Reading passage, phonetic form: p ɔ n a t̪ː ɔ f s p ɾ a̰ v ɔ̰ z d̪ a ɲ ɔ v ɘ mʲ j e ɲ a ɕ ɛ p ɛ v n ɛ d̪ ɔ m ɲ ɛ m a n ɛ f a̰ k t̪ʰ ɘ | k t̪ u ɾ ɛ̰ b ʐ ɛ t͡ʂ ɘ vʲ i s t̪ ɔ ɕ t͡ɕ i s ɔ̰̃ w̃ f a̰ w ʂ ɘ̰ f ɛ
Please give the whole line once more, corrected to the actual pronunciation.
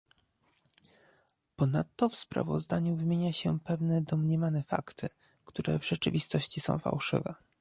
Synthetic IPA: p ɔ n a t̪ː ɔ f s p ɾ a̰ v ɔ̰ z d̪ a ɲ u v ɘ mʲ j e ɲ a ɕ ɛ p ɛ v n ɛ d̪ ɔ m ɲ ɛ m a n ɛ f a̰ k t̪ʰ ɘ | k t̪ u ɾ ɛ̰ v ʐ ɛ t͡ʂ ɘ vʲ i s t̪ ɔ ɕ t͡ɕ i s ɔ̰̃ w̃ f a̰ w ʂ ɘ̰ v ɛ